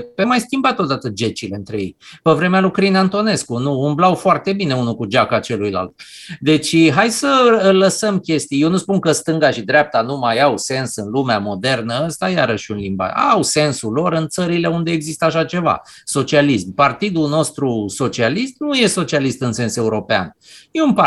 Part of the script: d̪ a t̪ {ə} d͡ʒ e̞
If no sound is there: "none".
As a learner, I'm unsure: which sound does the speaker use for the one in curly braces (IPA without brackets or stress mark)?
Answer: ə